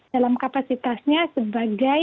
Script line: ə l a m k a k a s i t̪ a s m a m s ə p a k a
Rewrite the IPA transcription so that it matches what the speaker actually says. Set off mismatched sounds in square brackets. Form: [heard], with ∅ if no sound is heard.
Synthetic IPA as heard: [a] l a m k a [p] a s i t̪ a s [ɲ] a [∅] s ə [b] a [ɡ] a